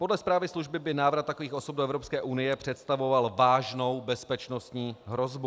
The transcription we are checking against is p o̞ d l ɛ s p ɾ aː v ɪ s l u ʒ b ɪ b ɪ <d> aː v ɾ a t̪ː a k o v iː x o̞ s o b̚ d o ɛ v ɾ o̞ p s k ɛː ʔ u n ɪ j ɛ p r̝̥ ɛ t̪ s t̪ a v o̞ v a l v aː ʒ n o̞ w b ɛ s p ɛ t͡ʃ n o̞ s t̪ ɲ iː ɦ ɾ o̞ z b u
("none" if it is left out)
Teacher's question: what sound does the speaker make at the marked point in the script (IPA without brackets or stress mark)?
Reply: n